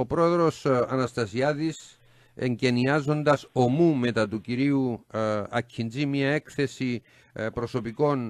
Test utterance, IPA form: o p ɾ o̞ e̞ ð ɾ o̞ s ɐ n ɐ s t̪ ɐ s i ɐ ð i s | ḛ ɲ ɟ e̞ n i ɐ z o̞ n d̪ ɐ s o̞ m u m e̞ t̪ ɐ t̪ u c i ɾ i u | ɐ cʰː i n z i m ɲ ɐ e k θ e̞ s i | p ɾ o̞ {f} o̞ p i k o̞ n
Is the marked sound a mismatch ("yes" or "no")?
yes